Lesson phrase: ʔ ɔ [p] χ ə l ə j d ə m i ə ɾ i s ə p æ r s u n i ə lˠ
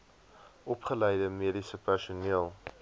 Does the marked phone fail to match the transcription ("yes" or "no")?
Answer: no